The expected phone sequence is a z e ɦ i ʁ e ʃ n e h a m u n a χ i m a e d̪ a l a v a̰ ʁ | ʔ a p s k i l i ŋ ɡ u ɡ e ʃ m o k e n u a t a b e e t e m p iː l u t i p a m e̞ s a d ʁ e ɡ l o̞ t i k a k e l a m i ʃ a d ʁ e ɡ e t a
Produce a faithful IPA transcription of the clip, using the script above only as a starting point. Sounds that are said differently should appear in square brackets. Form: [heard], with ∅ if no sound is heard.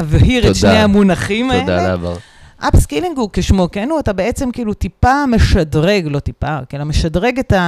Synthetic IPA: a [v] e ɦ i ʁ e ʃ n e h a m u n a χ i m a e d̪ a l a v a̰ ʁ | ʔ a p s k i l i ŋ ɡ u [k] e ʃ m o k e n u a t a b e e [t͡s] e m [k] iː l u t i p a m e̞ [ʃ] a d ʁ e ɡ l o̞ t i [p] a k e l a m [e] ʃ a d ʁ e ɡ e t a